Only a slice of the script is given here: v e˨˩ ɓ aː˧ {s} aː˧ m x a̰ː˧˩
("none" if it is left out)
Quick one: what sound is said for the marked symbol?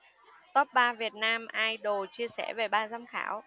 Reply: z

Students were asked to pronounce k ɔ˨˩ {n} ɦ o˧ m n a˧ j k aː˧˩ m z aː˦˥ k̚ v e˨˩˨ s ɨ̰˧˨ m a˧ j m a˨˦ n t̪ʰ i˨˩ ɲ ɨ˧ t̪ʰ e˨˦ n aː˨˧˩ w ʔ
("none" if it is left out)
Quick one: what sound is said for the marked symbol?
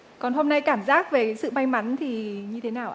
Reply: n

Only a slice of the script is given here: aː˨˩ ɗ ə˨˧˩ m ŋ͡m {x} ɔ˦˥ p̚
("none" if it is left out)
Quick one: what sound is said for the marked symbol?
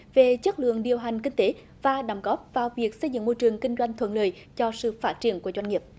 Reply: ɣ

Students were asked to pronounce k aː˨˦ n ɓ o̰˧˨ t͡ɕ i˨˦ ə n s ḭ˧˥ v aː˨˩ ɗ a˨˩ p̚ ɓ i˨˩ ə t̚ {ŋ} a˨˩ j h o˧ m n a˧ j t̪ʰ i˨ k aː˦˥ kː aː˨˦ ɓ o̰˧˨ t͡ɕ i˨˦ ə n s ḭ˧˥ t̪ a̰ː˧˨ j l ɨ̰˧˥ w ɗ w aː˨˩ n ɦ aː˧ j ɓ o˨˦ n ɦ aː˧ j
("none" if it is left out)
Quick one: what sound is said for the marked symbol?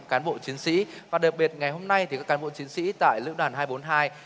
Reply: ŋ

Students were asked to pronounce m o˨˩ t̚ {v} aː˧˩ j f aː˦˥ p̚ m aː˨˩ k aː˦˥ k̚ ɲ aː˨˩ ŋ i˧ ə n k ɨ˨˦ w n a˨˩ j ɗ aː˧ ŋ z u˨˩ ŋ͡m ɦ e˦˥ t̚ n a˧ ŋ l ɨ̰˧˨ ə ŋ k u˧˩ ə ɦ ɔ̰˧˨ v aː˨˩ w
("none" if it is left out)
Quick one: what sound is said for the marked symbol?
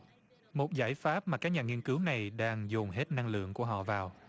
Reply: z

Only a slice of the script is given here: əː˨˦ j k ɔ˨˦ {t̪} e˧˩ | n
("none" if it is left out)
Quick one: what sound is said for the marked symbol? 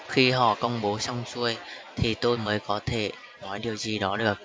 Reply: t̪ʰ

